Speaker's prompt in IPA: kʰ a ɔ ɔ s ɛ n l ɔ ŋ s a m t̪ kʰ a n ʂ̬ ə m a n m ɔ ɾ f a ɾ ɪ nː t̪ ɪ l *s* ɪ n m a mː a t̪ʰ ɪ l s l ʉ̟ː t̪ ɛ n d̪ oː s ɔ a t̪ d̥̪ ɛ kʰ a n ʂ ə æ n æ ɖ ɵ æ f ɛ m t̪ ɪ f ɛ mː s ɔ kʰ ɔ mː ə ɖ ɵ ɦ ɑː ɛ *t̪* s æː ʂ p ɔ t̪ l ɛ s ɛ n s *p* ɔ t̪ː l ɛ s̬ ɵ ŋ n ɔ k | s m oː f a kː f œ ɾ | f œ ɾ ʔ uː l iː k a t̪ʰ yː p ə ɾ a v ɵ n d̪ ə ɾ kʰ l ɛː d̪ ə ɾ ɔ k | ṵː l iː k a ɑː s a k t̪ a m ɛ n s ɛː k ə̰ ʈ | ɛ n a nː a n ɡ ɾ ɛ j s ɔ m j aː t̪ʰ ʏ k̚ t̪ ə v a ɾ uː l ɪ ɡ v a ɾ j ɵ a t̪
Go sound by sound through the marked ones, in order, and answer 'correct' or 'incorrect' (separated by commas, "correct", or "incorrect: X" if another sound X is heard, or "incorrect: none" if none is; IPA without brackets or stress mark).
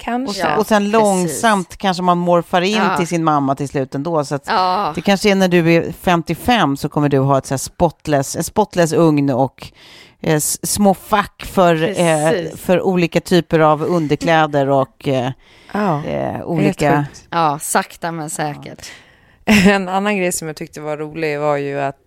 correct, correct, correct